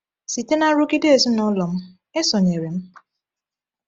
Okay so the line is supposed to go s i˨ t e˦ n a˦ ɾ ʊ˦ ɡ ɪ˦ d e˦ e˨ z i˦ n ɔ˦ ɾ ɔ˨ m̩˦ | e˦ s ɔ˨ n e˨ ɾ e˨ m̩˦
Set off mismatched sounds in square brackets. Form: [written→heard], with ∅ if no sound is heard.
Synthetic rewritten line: s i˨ t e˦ n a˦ ɾ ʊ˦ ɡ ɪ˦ d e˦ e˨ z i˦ n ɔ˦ [ɾ→l] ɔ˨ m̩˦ | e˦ s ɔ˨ [n→ɲ] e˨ ɾ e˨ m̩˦